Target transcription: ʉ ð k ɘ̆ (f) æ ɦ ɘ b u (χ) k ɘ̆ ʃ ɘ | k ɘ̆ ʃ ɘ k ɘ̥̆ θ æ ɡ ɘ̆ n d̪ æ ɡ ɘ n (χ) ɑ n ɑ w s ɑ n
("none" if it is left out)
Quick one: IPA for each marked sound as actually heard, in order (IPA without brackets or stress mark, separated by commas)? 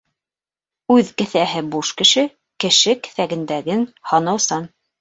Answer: θ, ʃ, h